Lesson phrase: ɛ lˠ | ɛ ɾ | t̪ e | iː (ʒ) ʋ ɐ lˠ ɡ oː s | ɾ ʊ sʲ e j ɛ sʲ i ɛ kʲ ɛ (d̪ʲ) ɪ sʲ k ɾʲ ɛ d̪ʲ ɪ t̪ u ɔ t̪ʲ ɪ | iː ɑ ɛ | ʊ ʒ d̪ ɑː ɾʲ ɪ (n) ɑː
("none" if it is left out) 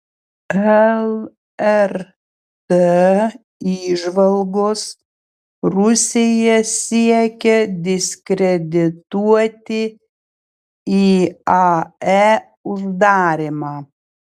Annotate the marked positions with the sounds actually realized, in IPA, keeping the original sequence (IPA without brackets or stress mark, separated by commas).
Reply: ʒ, d̪ʲ, m